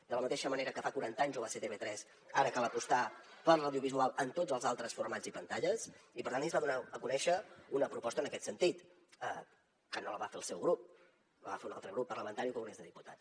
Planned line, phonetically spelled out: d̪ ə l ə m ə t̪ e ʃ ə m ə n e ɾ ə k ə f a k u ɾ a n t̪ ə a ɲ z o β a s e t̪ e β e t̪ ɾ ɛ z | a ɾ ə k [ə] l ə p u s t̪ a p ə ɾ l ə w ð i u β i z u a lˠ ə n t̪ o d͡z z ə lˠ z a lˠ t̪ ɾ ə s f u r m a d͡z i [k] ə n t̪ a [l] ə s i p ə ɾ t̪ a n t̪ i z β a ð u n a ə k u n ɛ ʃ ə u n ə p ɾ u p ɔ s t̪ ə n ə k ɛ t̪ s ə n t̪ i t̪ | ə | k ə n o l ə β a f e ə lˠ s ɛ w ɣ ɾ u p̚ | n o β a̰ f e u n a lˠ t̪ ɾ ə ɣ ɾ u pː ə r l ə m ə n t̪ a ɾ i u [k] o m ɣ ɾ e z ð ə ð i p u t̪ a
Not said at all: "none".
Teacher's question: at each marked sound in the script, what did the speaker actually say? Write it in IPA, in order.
a, p, ʎ, k

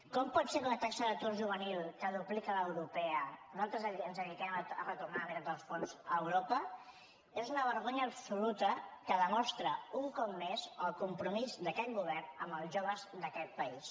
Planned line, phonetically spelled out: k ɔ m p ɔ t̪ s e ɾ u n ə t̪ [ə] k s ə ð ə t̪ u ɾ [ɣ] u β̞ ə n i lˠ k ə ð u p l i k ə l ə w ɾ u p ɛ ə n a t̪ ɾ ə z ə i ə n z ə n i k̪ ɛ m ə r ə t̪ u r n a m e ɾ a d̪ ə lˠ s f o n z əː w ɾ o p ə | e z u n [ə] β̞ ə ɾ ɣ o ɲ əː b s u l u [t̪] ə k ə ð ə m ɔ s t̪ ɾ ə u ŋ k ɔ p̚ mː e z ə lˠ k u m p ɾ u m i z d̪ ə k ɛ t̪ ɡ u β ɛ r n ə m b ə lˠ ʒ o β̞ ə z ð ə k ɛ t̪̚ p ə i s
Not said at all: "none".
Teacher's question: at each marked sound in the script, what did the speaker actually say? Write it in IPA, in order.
a, ʒ, ə, t̪

